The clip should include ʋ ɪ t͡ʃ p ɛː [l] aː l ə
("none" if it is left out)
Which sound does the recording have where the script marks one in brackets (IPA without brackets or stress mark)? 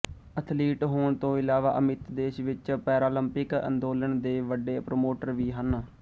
ɾ